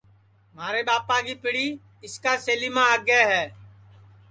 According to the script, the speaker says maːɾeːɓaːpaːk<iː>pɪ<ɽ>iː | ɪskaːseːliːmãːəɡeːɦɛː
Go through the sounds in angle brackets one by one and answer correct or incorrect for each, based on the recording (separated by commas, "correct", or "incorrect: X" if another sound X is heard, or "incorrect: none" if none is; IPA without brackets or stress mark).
correct, correct